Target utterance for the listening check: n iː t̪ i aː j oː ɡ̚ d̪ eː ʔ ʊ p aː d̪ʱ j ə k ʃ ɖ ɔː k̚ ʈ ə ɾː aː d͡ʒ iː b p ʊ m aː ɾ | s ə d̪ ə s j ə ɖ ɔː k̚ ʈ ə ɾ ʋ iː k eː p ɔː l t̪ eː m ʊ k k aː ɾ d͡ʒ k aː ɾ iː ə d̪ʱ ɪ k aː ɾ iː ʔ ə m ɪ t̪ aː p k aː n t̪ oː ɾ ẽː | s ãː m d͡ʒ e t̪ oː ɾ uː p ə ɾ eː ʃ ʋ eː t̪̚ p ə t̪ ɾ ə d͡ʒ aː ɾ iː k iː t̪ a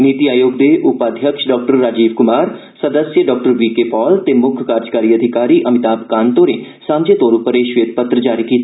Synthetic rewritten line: n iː t̪ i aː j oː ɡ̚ d̪ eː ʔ ʊ p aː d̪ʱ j ə k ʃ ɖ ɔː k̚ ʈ ə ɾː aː d͡ʒ iː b k ʊ m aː ɾ | s ə d̪ ə s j ə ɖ ɔː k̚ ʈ ə ɾ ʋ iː k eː p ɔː l t̪ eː m ʊ kʰ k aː ɾ d͡ʒ k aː ɾ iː ə d̪ʱ ɪ k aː ɾ iː ʔ ə m ɪ t̪ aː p k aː n t̪ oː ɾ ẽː | s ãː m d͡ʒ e t̪ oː ɾ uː p ə ɾ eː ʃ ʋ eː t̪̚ p ə t̪ ɾ ə d͡ʒ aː ɾ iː k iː t̪ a